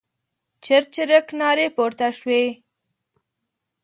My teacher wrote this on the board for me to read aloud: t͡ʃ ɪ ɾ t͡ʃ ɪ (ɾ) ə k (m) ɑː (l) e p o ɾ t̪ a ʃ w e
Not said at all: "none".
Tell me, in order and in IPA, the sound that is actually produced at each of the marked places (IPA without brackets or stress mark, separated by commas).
ɾ, n, ɾ